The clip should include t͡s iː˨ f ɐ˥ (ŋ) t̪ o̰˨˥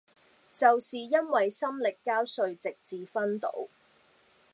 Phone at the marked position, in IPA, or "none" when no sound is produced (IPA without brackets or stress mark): n